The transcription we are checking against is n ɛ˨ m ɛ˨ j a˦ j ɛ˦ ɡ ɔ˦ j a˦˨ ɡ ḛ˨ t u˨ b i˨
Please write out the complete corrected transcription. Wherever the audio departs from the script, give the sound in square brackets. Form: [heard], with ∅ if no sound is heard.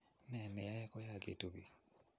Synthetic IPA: n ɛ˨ [n] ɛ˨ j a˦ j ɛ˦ [k] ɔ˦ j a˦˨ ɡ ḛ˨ t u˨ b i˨